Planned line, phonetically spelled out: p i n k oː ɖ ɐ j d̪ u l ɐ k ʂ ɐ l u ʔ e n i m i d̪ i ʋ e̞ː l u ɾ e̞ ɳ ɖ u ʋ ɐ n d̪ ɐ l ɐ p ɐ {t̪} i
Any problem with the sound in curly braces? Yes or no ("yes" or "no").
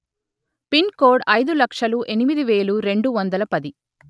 yes